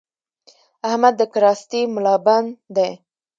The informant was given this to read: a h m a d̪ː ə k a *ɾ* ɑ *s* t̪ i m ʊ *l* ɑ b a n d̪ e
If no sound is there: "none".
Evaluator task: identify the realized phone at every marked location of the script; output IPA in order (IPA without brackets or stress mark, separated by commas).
ɾ, s, l